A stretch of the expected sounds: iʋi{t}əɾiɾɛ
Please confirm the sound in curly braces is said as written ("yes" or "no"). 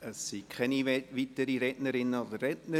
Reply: yes